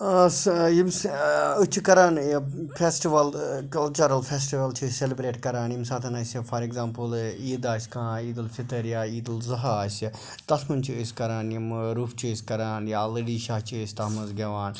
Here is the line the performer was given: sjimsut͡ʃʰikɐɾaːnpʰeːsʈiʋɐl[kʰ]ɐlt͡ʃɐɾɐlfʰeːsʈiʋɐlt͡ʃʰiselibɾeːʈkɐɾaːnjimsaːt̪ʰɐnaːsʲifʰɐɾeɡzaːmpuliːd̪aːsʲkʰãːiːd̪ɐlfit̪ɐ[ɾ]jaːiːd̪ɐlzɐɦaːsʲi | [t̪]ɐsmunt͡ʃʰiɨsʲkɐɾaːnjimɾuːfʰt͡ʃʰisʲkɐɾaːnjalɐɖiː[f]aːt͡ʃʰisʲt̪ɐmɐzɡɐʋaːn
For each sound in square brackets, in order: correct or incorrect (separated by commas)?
incorrect, correct, correct, incorrect